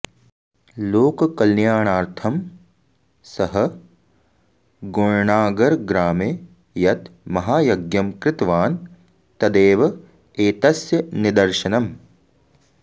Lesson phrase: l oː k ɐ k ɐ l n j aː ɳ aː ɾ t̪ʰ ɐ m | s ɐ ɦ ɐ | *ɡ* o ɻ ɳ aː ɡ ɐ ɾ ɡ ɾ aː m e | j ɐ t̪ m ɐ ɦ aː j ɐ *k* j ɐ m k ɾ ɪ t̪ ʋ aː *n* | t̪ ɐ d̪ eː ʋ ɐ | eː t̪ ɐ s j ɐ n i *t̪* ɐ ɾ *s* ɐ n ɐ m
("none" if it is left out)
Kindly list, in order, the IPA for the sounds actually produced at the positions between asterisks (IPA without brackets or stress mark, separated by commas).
ɡ, ɡ, n, d̪, ʃ